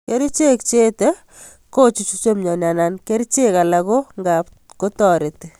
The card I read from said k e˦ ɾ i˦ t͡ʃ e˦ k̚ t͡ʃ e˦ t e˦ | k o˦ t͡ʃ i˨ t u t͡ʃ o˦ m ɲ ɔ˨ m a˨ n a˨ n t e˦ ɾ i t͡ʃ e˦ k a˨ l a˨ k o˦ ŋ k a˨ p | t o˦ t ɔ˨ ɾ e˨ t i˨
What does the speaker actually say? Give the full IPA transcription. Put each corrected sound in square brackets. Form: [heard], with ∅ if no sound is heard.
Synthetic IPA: k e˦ ɾ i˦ t͡ʃ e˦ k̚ t͡ʃ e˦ t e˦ | k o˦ t͡ʃ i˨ [t͡ʃ] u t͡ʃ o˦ m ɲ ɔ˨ [n] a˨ n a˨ n [k] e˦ ɾ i t͡ʃ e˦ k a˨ l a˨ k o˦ ŋ [ɡ] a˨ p | [k] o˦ t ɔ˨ ɾ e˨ t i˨

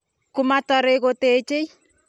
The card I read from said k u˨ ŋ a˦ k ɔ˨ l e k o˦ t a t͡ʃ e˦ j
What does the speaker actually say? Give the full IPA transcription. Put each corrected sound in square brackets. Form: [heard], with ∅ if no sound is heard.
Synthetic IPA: k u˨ [m] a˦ [t] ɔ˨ [ɾ] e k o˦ t [e] t͡ʃ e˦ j

